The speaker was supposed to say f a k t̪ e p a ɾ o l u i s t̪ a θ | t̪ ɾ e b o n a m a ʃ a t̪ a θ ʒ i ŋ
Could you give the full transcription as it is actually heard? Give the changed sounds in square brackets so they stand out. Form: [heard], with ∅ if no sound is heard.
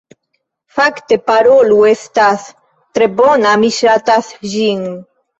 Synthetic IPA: f a k t̪ e p a ɾ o l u [e] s t̪ a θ | t̪ ɾ e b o n a m [i] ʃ a t̪ a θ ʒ i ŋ